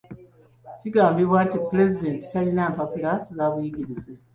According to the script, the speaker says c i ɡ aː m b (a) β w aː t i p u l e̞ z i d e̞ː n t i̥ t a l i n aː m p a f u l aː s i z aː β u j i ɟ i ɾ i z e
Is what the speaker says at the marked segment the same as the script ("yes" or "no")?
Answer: no